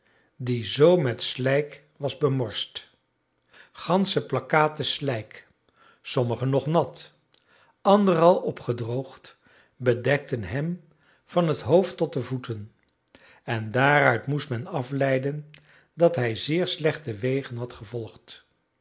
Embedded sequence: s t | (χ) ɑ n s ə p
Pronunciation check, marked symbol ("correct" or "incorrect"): correct